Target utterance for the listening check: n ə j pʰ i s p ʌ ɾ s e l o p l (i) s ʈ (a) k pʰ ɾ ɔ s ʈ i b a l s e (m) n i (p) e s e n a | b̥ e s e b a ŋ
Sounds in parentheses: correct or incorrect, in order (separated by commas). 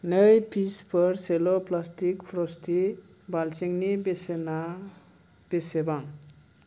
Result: incorrect, incorrect, incorrect, incorrect